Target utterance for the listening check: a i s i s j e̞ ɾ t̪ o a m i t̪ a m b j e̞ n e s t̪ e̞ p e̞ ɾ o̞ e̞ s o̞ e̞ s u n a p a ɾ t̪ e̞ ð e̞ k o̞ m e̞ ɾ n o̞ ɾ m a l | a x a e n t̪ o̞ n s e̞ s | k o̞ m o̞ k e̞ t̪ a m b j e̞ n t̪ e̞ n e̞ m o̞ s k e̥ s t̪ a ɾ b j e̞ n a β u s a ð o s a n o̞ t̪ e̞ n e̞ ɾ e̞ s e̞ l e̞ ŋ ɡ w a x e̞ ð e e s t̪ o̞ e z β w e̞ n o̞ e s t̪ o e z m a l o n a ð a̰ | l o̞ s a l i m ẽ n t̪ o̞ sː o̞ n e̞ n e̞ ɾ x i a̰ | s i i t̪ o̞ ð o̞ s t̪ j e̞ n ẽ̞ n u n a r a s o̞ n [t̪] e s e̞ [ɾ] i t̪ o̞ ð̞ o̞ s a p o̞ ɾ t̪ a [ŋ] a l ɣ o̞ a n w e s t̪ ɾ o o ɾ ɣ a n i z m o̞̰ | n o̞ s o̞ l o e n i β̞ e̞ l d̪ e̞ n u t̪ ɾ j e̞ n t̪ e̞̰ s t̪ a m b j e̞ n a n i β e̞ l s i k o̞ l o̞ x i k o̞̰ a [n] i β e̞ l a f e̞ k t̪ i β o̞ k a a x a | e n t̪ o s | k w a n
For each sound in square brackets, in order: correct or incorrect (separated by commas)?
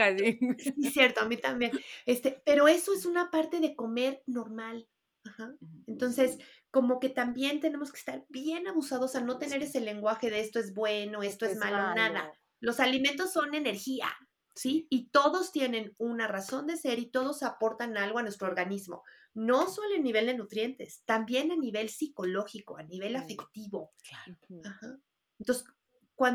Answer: incorrect, correct, incorrect, correct